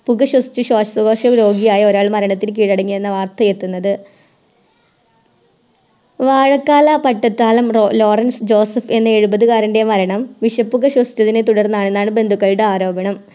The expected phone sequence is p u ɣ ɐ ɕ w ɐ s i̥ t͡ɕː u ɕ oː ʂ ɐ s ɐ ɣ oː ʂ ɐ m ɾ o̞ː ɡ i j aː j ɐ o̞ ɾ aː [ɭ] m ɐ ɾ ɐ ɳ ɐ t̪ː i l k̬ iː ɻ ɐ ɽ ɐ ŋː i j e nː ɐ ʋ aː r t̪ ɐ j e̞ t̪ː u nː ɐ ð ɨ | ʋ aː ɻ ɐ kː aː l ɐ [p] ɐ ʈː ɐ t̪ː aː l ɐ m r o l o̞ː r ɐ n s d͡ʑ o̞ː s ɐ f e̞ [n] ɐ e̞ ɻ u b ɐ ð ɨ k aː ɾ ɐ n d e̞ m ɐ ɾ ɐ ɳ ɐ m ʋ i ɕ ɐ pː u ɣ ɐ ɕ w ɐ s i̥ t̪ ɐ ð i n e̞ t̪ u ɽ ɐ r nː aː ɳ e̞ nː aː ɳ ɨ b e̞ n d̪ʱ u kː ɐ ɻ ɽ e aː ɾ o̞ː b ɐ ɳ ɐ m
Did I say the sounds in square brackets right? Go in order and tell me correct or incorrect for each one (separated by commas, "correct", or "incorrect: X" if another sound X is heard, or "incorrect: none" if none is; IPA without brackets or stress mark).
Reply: correct, correct, incorrect: nː